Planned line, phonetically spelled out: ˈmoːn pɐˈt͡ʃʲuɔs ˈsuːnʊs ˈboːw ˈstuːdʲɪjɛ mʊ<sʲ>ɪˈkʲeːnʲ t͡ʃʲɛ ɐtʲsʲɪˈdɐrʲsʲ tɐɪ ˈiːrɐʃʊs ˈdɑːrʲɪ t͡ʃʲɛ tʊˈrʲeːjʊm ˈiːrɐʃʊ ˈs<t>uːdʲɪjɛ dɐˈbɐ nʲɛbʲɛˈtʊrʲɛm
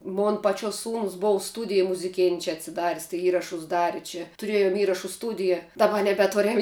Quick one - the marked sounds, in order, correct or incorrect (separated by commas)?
incorrect, correct